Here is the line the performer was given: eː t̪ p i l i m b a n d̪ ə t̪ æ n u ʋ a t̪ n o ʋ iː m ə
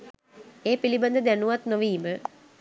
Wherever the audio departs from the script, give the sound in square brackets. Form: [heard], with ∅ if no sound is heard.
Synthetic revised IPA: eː [∅] p i l i [∅] b a n d̪ ə [d̪] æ n u ʋ a t̪ n o ʋ iː m ə